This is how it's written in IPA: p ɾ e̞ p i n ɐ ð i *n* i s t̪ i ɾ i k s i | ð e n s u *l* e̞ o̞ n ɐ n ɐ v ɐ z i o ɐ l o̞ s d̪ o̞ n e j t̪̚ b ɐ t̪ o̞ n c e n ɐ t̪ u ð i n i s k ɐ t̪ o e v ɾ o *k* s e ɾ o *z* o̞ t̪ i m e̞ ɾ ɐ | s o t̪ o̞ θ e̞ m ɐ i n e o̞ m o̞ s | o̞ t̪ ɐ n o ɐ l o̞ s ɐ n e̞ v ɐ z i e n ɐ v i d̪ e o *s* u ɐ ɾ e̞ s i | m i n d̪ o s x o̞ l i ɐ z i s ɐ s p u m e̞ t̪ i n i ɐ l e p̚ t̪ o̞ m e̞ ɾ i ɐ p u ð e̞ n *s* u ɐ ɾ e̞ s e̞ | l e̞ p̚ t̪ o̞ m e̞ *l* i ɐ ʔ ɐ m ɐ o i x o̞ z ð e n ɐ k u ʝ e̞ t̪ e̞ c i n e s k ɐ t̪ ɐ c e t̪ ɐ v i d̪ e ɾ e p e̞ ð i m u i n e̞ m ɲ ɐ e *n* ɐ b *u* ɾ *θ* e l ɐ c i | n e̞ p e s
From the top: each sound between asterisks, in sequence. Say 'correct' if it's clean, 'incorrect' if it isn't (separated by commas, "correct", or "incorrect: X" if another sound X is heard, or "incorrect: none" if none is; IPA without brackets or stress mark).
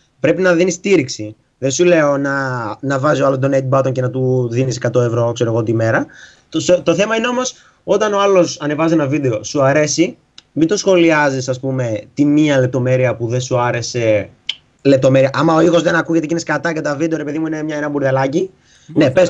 correct, correct, correct, incorrect: ɣ, correct, correct, incorrect: ɾ, correct, correct, incorrect: ð